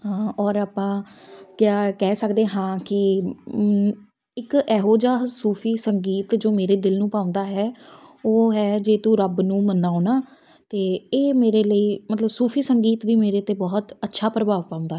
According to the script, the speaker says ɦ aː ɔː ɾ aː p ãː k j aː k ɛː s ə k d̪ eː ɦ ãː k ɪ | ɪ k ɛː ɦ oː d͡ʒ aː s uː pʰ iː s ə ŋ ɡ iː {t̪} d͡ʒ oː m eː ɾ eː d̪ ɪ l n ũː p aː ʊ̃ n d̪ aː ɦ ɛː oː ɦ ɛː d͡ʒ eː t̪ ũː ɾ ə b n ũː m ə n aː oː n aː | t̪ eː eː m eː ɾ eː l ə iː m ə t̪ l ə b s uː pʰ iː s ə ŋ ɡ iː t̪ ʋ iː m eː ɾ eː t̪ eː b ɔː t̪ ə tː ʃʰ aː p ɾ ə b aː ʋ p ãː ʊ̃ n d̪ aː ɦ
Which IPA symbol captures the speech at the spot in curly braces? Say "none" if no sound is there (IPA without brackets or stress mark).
t̪